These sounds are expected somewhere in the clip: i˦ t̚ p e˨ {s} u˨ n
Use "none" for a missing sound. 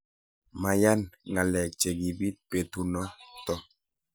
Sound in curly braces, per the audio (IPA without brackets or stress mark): t